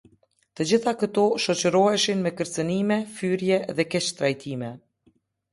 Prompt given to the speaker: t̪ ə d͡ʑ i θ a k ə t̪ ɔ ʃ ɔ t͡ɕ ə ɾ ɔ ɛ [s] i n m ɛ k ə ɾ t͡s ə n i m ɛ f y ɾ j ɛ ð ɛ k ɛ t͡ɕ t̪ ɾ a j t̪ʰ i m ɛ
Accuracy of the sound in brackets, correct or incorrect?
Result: incorrect